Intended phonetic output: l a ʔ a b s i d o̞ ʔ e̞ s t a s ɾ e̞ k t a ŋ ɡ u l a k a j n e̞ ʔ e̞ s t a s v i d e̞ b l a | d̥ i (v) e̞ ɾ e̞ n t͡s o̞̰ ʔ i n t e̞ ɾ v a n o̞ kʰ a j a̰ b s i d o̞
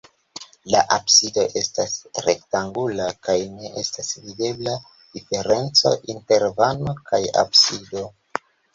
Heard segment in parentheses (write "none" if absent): f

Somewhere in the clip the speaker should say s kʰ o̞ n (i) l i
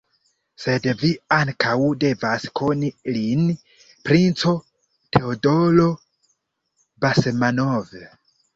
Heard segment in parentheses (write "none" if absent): i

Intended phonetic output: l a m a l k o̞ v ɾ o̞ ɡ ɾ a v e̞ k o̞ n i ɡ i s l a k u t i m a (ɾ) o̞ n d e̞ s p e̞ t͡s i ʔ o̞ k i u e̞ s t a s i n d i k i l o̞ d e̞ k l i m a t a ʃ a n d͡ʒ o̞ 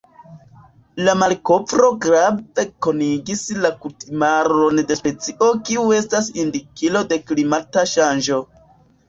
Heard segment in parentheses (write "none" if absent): ɾ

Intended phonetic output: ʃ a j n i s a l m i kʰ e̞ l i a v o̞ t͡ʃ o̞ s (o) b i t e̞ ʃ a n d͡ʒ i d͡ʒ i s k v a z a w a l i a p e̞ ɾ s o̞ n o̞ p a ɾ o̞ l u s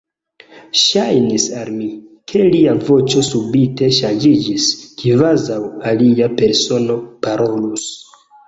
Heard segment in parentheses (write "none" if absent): u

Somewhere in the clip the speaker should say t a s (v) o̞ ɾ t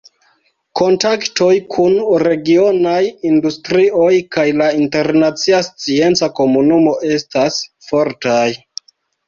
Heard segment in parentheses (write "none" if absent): f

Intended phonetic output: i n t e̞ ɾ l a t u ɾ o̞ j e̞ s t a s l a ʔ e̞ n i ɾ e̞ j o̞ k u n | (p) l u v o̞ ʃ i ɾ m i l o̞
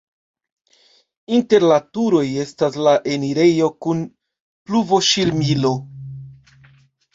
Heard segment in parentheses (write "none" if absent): p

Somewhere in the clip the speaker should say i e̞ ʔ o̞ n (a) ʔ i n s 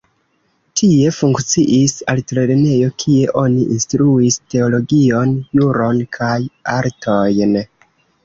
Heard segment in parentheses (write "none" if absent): i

